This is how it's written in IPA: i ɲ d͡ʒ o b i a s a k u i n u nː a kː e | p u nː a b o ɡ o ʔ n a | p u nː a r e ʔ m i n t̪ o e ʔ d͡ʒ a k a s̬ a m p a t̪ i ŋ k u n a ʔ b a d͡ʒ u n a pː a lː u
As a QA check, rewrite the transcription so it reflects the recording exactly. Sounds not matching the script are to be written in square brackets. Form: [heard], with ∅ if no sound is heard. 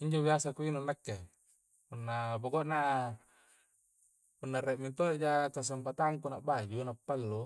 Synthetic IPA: i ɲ d͡ʒ o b i a s a k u i n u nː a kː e | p u nː a b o ɡ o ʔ n a | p u nː a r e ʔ m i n t̪ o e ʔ d͡ʒ a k a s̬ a m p a t̪ [a] ŋ k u n a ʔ b a d͡ʒ u n a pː a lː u